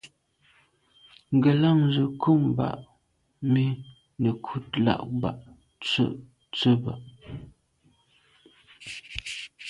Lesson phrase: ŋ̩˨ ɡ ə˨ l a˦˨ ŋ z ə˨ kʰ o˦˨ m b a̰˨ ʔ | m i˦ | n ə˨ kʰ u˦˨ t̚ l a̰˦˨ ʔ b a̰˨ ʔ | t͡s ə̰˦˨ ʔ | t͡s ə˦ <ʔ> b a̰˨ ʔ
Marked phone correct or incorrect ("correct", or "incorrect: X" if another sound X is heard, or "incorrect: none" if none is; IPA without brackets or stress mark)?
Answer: incorrect: none